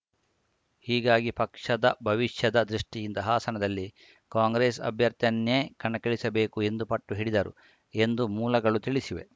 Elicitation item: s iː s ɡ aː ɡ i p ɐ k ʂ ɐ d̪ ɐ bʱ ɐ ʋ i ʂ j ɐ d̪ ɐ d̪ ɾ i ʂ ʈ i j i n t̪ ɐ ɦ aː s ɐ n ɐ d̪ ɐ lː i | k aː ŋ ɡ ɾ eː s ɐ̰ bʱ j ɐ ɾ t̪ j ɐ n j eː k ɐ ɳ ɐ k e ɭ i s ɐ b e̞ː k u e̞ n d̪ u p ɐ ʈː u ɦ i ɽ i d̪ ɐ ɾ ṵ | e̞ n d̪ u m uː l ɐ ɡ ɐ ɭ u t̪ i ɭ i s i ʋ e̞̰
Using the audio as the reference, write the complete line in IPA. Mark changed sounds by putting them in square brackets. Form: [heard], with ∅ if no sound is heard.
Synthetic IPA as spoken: [h] iː [∅] ɡ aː ɡ i p ɐ k ʂ ɐ d̪ ɐ bʱ ɐ ʋ i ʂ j ɐ d̪ ɐ d̪ ɾ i ʂ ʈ i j i n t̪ ɐ ɦ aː s ɐ n ɐ d̪ ɐ lː i | k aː ŋ ɡ ɾ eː s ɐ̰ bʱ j ɐ ɾ t̪ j ɐ n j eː k ɐ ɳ ɐ k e ɭ i s ɐ b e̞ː k u e̞ n d̪ u p ɐ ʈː u ɦ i ɽ i d̪ ɐ ɾ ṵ | e̞ n d̪ u m uː l ɐ ɡ ɐ ɭ u t̪ i ɭ i s i ʋ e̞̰